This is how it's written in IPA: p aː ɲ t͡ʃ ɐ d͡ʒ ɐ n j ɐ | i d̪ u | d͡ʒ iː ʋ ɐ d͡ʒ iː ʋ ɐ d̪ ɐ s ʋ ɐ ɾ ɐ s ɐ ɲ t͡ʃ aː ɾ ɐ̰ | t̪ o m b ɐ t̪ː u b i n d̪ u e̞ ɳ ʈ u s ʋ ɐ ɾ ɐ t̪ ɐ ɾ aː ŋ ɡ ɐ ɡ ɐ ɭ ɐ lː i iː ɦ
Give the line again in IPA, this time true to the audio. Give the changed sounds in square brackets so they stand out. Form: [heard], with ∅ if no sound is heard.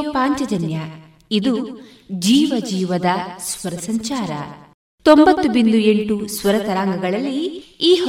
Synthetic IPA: p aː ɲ t͡ʃ ɐ d͡ʒ ɐ n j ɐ | i d̪ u | d͡ʒ iː ʋ ɐ d͡ʒ iː ʋ ɐ d̪ ɐ s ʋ ɐ ɾ ɐ s ɐ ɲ t͡ʃ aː ɾ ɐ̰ | t̪ o m b ɐ t̪ː u b i n d̪ u e̞ ɳ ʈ u s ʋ ɐ ɾ ɐ t̪ ɐ ɾ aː ŋ ɡ ɐ ɡ ɐ ɭ ɐ lː i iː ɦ